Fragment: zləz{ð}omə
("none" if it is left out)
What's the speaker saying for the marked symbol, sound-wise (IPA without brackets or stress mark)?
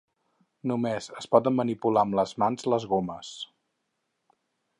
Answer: ɣ